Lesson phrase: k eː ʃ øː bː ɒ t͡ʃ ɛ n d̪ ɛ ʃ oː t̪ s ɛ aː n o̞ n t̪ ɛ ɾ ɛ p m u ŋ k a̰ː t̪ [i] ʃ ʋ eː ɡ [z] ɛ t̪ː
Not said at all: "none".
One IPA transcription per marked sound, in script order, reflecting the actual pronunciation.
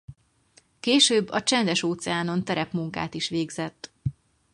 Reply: i, z

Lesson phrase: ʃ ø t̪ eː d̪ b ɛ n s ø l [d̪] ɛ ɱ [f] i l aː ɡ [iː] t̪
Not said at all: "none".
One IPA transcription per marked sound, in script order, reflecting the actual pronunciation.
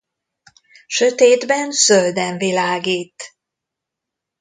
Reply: d̪, v, iː

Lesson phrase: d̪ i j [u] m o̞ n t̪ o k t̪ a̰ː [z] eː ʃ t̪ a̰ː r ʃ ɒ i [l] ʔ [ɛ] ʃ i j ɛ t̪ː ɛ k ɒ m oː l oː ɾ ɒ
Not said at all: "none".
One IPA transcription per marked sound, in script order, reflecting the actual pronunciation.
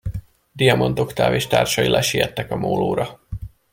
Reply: ɒ, v, l, ɛ

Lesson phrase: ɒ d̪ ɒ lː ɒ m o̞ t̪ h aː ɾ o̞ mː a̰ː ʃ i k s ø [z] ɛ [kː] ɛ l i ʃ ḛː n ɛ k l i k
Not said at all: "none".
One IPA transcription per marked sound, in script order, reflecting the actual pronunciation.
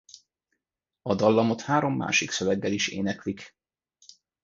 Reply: v, ɡː

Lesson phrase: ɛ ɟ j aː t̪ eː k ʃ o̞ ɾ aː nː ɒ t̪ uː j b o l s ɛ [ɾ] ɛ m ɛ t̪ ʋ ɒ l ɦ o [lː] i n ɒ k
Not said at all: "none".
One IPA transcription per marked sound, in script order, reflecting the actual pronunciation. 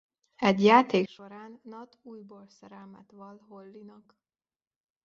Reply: ɾ, lː

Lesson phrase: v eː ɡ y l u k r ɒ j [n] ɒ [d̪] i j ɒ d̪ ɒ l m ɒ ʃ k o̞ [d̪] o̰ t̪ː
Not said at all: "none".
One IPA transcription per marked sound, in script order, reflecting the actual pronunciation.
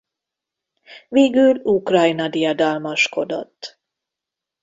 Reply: n, d̪, d̪

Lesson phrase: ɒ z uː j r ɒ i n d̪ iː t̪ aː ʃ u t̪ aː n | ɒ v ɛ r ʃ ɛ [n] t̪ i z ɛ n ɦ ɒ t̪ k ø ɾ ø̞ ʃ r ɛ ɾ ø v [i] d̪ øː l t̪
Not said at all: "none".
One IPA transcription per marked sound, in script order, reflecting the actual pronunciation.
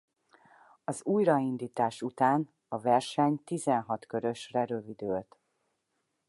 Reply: ɲ, i

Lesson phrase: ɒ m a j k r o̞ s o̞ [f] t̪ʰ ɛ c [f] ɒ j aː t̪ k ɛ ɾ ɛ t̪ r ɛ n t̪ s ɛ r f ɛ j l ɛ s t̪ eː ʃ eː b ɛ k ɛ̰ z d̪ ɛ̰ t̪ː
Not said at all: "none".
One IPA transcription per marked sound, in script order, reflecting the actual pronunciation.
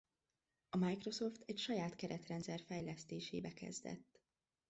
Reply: f, ʃ

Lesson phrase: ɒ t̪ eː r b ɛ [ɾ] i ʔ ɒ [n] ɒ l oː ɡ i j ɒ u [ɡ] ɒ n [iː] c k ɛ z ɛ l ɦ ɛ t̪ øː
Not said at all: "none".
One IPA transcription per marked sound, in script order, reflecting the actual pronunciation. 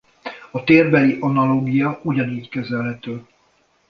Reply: l, n, ɟ, iː

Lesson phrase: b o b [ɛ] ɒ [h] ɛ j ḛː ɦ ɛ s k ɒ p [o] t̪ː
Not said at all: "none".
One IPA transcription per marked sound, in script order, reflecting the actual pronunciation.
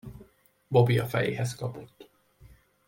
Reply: i, f, o

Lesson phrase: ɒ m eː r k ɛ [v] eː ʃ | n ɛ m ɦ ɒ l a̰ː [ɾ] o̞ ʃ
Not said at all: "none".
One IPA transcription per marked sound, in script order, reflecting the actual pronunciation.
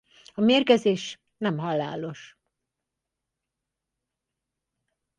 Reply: z, l

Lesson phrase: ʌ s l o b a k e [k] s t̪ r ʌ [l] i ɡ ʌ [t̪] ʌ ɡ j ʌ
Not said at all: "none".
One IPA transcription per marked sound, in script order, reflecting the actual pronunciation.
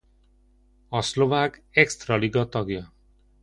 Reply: k, l, t̪

